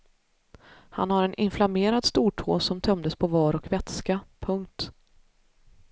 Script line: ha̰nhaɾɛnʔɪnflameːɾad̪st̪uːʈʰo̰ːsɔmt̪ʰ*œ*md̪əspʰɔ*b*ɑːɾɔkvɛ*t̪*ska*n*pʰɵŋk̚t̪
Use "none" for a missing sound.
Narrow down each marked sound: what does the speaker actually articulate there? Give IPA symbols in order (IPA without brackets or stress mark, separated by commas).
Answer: œ, v, t̪, none